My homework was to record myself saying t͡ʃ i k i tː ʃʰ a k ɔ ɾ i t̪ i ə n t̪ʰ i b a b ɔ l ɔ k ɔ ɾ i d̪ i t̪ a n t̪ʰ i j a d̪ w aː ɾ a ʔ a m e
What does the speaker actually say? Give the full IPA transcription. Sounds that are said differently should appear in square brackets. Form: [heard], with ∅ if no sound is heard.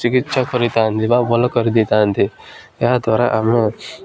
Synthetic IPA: t͡ʃ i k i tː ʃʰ a k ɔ ɾ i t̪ [a] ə n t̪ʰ i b a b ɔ l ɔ k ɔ ɾ i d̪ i t̪ a n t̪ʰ i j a d̪ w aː ɾ a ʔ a m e